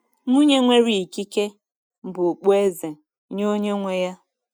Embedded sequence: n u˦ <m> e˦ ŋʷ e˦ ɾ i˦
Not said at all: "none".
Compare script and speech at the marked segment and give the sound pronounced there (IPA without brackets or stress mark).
ɲ